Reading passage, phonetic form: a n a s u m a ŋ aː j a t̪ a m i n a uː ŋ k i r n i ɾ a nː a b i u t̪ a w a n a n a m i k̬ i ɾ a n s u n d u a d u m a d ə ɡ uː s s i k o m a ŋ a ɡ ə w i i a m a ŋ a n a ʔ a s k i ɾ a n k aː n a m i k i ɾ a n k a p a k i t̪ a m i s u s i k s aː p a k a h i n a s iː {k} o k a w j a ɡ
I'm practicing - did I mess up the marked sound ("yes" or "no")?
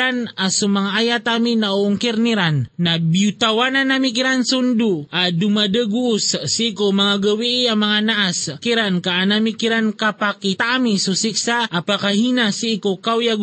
no